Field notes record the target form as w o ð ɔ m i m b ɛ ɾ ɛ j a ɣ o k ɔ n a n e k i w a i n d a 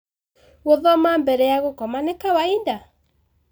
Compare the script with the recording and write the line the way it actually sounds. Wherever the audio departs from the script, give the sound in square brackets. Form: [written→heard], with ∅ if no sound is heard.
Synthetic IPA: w o ð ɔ m [i→a] m b ɛ ɾ ɛ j a ɣ o k ɔ [n→m] a n e k [i→a] w a i n d a